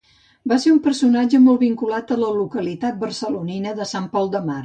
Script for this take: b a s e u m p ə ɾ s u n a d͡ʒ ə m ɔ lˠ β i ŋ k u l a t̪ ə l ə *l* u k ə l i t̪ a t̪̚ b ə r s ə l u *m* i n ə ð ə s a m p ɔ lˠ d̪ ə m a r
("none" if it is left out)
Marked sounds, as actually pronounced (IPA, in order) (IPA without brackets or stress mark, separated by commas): l, n